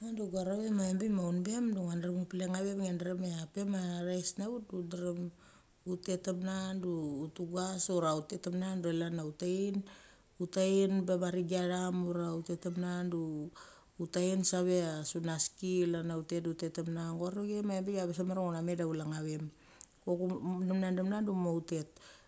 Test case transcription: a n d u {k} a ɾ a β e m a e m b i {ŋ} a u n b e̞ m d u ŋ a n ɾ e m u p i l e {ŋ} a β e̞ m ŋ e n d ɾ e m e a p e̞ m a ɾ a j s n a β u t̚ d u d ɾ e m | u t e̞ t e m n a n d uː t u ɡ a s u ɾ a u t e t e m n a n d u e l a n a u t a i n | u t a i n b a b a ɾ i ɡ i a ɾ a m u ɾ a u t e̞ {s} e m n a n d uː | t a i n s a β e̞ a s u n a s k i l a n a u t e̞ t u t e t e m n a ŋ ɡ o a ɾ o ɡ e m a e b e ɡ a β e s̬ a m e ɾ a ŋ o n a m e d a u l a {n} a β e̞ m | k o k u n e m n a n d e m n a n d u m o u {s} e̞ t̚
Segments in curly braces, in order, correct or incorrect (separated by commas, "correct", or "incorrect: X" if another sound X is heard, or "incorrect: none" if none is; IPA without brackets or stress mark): incorrect: ɡ, incorrect: m, correct, incorrect: t, incorrect: ŋ, incorrect: t